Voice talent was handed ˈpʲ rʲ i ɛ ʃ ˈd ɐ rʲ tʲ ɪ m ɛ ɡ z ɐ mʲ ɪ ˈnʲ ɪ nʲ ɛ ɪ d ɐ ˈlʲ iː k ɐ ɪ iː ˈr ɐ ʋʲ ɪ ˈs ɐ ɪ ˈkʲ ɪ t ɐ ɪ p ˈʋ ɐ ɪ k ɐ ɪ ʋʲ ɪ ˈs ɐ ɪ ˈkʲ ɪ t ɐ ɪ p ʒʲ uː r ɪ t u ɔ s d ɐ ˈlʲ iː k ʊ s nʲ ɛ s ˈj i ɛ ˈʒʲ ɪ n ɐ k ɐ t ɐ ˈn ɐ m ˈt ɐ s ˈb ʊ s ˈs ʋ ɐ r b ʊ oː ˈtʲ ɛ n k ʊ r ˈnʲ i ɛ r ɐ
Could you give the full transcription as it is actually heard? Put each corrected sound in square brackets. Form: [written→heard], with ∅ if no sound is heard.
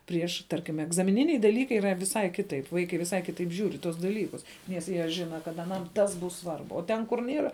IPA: ˈpʲ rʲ i ɛ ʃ [ˈd→ˈt] ɐ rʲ [tʲ→kʲ] ɪ m ɛ ɡ z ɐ mʲ ɪ ˈnʲ ɪ nʲ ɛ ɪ d ɐ ˈlʲ iː k ɐ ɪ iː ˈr ɐ ʋʲ ɪ ˈs ɐ ɪ ˈkʲ ɪ t ɐ ɪ p ˈʋ ɐ ɪ k ɐ ɪ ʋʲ ɪ ˈs ɐ ɪ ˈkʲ ɪ t ɐ ɪ p ʒʲ uː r ɪ t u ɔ s d ɐ ˈlʲ iː k ʊ s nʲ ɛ s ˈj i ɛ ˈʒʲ ɪ n ɐ k ɐ t ɐ ˈn ɐ m ˈt ɐ s ˈb ʊ s ˈs ʋ ɐ r b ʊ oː ˈtʲ ɛ n k ʊ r ˈnʲ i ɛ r ɐ